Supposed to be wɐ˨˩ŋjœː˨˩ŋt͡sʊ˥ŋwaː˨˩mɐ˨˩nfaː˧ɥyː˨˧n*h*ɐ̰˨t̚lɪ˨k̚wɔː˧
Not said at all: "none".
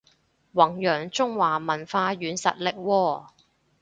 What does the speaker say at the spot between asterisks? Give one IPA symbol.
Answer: s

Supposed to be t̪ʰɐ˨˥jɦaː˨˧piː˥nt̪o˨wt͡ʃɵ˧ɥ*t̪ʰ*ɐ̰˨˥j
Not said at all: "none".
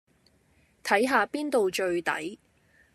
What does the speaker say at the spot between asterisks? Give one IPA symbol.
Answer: t̪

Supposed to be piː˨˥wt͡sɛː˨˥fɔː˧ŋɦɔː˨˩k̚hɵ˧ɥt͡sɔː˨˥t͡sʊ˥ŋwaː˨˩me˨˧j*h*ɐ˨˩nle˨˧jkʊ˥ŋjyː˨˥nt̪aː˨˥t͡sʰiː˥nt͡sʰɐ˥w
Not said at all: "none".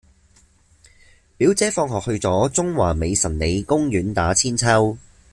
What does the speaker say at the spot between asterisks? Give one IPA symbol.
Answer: s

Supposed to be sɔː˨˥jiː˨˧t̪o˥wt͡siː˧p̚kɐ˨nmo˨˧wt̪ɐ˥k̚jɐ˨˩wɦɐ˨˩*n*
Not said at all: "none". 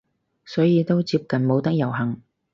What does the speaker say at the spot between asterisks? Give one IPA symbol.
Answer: ŋ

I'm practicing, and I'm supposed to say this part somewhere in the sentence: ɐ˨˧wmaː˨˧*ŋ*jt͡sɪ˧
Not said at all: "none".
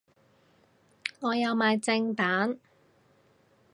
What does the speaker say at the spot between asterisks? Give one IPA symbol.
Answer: none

